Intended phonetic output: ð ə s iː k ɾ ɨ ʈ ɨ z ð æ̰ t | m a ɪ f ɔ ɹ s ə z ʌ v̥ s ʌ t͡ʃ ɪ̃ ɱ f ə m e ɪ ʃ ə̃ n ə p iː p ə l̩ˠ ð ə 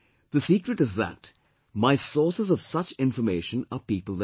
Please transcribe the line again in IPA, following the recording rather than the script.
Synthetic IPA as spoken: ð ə s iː k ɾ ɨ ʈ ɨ z ð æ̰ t | m a ɪ s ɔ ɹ s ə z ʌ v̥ s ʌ t͡ʃ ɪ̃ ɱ f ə m e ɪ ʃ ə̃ n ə p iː p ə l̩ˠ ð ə